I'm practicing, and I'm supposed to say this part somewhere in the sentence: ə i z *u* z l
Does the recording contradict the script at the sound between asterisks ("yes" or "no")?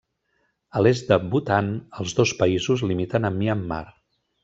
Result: no